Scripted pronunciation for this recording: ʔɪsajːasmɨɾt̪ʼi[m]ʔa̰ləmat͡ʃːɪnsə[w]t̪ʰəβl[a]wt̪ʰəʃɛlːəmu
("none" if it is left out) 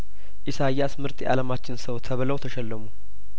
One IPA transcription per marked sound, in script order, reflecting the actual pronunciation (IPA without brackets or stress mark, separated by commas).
none, w, ə